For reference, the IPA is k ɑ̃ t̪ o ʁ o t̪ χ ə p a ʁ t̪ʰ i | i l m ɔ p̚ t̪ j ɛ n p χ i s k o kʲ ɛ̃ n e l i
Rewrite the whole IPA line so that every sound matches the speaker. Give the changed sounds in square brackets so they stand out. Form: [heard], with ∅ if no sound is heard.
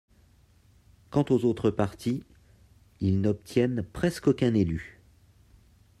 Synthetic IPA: k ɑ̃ t̪ o [z] o t̪ χ ə p a ʁ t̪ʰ i | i l [n] ɔ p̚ t̪ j ɛ n p χ [ɛ] s k o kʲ ɛ̃ n e l [y]